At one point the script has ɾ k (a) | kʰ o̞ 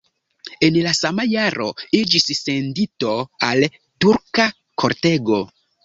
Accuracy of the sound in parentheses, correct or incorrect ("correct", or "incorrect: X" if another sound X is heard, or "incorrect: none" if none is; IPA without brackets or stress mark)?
correct